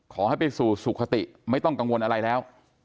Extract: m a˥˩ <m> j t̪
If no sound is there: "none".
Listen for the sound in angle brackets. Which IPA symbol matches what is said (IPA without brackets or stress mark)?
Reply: none